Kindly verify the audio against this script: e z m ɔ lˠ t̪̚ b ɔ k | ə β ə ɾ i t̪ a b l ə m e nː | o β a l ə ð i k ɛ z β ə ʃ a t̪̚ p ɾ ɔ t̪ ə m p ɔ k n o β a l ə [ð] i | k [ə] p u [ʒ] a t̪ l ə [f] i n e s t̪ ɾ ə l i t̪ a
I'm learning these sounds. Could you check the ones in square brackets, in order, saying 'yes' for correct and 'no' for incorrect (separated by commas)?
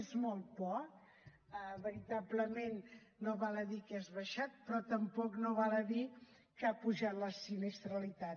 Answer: yes, no, yes, no